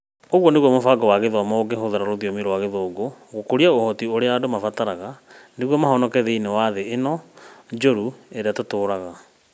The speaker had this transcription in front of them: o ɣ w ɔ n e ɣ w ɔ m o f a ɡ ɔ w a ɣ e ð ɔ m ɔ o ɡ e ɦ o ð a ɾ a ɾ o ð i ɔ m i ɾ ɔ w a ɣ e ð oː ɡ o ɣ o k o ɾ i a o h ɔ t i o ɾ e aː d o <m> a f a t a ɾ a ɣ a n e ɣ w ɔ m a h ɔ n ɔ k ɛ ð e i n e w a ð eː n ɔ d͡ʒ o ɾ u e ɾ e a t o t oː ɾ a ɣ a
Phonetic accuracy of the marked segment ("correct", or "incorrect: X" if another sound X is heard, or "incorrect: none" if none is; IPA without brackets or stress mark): correct